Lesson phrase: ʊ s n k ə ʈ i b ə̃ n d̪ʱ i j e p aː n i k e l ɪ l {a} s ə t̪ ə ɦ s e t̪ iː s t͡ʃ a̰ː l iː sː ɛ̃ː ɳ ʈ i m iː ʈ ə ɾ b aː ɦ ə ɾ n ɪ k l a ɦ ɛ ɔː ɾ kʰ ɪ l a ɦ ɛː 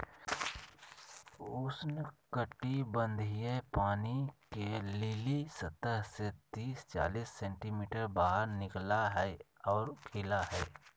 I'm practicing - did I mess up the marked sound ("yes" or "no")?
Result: yes